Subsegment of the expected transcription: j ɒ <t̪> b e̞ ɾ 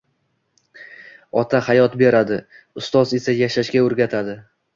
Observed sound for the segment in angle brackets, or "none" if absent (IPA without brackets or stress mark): t̪